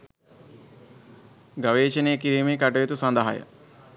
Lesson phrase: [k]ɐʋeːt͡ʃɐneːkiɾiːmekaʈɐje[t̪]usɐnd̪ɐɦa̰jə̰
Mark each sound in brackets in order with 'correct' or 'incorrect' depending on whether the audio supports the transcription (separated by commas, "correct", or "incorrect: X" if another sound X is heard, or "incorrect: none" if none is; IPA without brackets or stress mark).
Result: incorrect: ɡ, correct